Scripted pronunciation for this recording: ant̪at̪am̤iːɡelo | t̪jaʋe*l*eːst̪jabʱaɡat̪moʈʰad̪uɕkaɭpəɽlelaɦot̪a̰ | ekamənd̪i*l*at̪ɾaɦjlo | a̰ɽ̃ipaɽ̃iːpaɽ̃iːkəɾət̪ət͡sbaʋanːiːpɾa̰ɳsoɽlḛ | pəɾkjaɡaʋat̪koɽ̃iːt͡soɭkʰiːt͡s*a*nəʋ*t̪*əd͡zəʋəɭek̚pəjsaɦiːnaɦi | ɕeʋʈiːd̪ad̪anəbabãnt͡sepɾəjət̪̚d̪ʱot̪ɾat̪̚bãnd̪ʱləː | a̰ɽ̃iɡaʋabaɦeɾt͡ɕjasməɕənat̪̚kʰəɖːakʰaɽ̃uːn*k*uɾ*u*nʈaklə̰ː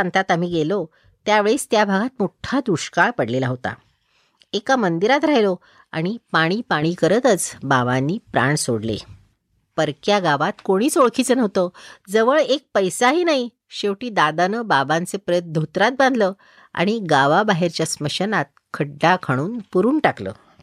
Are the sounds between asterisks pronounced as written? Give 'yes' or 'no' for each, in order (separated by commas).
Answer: no, no, no, yes, no, no